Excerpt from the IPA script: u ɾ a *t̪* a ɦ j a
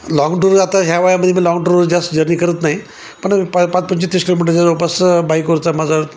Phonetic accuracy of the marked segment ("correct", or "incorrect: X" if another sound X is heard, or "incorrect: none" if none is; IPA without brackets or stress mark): correct